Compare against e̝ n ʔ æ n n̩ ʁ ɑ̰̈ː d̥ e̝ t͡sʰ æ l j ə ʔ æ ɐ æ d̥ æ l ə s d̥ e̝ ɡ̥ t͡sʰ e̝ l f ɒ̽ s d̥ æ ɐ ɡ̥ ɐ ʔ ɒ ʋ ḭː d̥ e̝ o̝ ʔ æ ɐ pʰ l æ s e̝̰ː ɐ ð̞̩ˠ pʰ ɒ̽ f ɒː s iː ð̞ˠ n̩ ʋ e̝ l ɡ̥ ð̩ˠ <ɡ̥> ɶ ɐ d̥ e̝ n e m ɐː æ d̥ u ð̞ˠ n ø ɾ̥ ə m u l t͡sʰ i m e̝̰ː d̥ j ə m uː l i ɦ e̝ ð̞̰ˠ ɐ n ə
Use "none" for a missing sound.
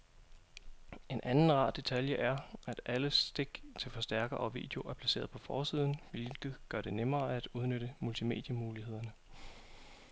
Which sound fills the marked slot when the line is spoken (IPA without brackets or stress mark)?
ɡ̥